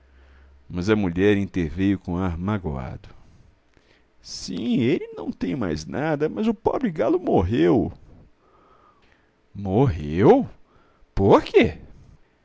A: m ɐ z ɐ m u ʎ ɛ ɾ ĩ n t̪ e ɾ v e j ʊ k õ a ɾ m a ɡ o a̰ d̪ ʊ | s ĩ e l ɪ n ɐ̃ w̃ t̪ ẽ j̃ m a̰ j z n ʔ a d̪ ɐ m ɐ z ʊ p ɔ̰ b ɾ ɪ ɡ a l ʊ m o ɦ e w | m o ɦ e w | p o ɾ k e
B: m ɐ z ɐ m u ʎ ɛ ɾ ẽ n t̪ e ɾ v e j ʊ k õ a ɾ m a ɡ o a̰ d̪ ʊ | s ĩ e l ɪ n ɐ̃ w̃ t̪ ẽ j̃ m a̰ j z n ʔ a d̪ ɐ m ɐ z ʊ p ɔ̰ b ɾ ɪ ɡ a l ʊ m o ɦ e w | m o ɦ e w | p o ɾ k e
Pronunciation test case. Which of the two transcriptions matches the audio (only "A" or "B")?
A